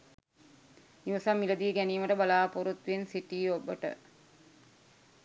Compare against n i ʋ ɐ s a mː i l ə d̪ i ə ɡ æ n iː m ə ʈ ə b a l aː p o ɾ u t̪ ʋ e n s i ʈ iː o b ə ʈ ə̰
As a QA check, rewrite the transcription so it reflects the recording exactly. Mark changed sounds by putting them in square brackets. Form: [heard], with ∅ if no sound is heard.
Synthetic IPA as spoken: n i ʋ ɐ s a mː i l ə d̪ i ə ɡ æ n iː m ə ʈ ə b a l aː p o ɾ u t̪ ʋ e n s i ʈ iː o b ə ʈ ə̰